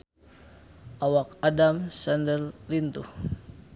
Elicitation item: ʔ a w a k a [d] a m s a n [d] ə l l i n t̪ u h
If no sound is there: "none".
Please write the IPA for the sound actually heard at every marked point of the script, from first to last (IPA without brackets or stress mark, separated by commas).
d, d